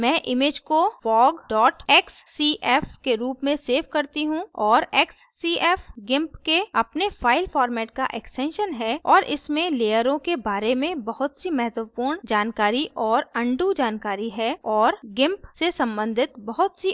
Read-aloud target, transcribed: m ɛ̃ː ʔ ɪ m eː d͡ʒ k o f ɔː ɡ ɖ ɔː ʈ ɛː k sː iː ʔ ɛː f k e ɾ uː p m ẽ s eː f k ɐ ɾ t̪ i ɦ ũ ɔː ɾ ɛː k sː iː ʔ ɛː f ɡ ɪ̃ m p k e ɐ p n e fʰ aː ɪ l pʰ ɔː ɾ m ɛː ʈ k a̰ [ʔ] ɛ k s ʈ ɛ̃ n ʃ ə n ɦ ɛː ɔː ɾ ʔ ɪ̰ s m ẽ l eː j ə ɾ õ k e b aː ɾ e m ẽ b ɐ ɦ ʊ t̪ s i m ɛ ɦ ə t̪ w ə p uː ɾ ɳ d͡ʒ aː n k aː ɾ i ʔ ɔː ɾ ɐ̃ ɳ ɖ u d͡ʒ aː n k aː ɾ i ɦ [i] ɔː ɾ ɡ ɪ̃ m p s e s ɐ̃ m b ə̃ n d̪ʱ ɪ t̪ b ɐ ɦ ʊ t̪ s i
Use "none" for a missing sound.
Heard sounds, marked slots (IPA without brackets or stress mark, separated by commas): ʔ, ɛ